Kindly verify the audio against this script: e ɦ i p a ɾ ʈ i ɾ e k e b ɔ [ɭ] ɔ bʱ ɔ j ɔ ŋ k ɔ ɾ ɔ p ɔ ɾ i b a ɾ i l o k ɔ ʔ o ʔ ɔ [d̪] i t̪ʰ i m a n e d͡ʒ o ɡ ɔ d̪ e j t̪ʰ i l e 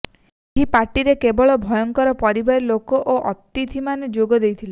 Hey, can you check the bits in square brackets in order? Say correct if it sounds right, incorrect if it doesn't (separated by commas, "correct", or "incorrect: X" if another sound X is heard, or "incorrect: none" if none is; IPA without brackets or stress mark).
correct, incorrect: t̪